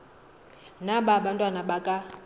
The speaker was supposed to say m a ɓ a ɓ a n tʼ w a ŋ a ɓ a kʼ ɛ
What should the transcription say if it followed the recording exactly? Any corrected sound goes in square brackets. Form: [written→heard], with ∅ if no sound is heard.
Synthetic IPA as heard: [m→n] a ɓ a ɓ a n tʼ w a [ŋ→n] a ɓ a kʼ [ɛ→a]